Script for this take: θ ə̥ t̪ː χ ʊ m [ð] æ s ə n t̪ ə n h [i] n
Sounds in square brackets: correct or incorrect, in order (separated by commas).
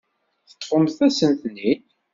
incorrect, correct